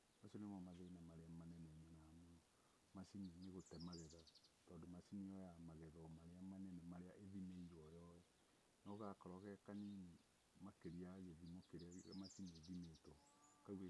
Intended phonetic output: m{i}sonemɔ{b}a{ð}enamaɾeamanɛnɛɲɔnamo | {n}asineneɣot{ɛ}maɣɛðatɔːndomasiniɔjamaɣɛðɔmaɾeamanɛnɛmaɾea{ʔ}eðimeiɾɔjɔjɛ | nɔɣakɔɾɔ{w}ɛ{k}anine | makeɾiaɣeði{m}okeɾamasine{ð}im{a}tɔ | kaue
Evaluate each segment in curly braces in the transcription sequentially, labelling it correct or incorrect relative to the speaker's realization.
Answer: incorrect: a, incorrect: m, correct, incorrect: m, correct, correct, incorrect: ɣ, correct, correct, correct, incorrect: e

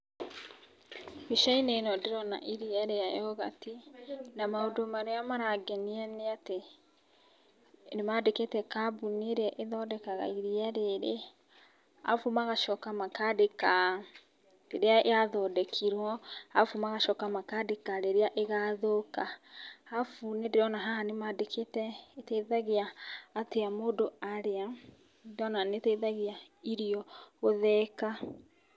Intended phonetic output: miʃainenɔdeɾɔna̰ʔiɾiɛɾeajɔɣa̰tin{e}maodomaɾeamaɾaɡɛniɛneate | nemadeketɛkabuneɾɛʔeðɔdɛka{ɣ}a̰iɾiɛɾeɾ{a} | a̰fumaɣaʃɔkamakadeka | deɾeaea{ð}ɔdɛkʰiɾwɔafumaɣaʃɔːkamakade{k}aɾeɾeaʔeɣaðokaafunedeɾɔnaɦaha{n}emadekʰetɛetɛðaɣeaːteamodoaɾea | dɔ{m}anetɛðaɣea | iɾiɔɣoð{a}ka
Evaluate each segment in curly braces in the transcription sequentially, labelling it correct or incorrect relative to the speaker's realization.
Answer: incorrect: a, correct, incorrect: e, correct, correct, correct, incorrect: n, incorrect: ɛ

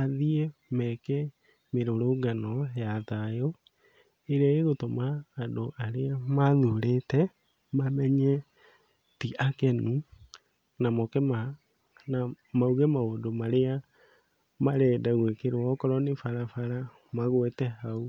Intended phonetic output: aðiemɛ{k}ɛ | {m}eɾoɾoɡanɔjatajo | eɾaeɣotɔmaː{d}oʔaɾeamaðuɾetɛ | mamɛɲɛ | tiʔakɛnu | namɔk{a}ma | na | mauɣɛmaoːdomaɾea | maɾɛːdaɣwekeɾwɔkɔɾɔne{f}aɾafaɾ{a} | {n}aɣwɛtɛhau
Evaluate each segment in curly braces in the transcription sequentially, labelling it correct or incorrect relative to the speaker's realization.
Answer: correct, correct, correct, incorrect: ɛ, correct, correct, incorrect: m

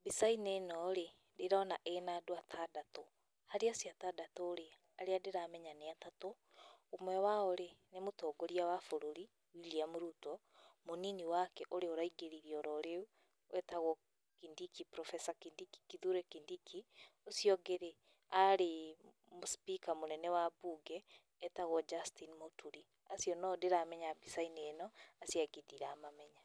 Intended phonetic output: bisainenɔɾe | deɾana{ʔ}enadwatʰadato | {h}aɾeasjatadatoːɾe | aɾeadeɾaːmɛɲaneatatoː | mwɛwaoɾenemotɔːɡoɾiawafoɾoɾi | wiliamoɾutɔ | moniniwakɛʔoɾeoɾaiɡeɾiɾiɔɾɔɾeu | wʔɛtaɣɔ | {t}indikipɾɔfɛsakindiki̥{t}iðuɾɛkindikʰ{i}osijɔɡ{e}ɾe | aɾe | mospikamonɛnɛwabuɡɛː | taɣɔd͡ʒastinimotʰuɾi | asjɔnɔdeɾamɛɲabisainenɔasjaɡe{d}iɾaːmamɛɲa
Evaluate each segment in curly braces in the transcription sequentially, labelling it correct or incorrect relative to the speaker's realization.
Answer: correct, correct, incorrect: k, incorrect: k, correct, correct, correct

